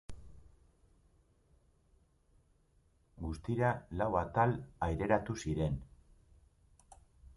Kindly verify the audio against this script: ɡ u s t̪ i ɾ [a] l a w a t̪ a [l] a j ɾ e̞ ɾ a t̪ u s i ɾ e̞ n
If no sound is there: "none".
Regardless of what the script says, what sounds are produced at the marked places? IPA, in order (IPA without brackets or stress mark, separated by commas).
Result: a, l